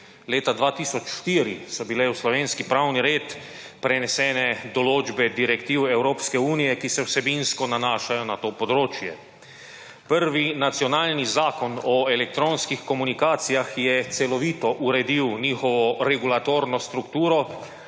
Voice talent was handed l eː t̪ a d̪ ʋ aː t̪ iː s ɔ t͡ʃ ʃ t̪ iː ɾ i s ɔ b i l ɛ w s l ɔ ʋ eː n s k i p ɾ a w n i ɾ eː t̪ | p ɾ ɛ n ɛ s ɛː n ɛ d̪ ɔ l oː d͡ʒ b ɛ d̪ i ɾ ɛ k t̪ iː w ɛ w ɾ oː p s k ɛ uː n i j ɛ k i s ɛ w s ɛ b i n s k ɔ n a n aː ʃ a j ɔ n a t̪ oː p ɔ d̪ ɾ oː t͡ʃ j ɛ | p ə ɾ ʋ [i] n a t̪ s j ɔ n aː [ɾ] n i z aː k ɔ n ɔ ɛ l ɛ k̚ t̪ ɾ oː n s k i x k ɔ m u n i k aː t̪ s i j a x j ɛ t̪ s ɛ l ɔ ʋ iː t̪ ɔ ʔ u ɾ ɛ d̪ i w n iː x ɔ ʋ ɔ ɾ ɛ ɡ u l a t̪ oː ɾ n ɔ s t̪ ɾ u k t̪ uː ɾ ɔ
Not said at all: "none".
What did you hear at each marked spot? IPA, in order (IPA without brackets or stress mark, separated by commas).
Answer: i, l